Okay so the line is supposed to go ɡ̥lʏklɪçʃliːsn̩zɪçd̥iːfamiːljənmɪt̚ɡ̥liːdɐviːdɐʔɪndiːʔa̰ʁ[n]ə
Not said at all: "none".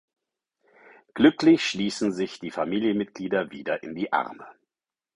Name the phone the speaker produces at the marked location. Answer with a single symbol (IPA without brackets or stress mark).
m